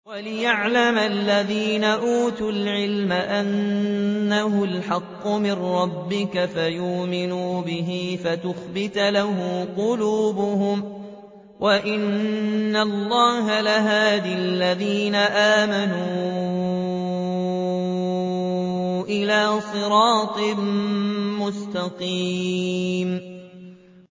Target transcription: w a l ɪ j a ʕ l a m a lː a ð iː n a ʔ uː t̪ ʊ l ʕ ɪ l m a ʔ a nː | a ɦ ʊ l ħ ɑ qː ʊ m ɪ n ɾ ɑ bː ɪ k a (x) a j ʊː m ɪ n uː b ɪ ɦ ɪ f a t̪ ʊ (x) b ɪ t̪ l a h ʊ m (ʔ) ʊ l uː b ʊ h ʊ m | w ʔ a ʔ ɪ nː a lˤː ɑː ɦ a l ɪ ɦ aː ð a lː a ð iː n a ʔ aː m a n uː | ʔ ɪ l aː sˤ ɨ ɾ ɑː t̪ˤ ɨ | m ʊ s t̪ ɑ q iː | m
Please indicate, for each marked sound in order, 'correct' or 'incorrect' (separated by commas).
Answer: incorrect, correct, incorrect